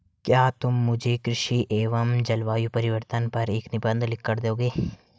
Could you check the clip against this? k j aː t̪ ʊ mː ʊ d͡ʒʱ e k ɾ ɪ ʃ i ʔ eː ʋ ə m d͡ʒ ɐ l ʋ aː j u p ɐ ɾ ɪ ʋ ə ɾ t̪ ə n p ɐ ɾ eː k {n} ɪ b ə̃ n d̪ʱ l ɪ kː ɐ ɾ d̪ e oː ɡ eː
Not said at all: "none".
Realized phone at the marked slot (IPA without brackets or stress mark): n